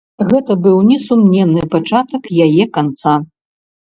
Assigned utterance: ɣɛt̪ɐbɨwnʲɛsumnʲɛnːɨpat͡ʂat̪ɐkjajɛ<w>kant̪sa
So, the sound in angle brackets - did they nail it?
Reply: no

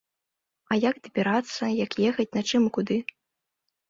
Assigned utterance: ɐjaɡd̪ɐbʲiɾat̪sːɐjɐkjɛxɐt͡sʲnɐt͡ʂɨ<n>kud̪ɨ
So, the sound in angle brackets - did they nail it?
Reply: no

